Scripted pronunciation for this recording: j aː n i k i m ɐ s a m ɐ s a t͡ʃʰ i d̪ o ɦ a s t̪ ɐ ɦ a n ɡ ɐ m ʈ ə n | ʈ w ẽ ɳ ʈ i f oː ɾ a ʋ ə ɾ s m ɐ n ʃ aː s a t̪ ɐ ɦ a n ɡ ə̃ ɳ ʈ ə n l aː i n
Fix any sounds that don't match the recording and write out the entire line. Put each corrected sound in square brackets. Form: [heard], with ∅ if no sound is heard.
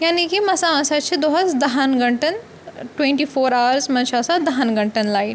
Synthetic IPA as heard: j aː n i k i m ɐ s a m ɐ s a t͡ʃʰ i d̪ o ɦ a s [d̪] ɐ ɦ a n ɡ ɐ [ɳ] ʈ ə n | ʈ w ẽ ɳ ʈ i f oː ɾ a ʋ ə ɾ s m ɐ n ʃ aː s a [d̪] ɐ ɦ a n ɡ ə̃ ɳ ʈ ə n l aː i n